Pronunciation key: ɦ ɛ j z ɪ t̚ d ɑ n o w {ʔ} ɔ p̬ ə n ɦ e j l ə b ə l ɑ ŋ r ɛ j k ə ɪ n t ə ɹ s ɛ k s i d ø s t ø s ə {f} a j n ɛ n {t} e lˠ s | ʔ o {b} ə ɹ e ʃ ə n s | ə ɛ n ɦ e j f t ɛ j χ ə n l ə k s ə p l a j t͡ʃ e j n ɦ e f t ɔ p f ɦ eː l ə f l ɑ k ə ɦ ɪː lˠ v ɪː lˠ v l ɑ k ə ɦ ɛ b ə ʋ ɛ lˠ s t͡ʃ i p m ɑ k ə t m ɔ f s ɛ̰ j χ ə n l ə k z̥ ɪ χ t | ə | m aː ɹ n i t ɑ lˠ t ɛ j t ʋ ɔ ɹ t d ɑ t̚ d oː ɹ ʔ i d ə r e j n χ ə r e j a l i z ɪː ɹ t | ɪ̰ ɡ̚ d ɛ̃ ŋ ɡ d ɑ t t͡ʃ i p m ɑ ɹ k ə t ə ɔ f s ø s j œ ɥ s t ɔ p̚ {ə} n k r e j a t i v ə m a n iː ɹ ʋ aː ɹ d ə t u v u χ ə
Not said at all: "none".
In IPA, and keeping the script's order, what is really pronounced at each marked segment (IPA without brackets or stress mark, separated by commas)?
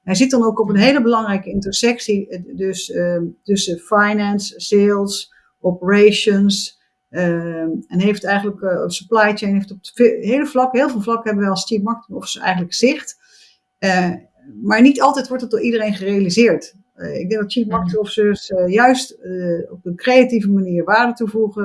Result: k, f, s, p, ə